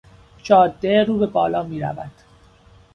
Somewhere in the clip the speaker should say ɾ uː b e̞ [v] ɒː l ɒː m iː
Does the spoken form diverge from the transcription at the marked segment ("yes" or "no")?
yes